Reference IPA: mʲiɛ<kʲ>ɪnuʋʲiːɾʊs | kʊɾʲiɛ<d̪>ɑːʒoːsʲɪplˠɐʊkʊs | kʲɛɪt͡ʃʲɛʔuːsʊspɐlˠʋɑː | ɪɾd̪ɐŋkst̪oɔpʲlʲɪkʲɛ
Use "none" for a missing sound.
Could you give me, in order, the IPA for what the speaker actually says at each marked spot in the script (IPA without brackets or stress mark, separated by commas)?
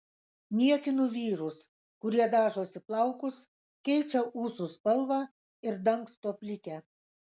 kʲ, d̪